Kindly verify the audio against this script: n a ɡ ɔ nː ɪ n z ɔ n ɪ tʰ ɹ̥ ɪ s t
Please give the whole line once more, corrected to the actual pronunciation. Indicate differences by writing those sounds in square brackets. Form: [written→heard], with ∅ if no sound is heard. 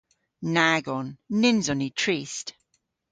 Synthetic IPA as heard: n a ɡ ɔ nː ɪ n z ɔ n [ɪ→i] tʰ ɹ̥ [ɪ→i] s t